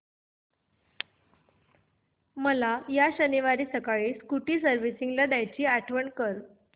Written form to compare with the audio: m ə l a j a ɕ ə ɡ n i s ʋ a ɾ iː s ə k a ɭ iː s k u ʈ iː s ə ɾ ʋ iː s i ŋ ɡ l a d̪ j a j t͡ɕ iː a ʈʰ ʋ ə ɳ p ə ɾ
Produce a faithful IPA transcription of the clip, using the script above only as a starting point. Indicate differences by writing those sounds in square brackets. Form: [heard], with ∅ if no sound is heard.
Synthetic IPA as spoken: m ə l a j a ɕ ə [∅] n i [∅] ʋ a ɾ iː s ə k a ɭ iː s k u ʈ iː s ə ɾ ʋ [i] s i ŋ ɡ l a d̪ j a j t͡ɕ iː a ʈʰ ʋ ə ɳ [k] ə ɾ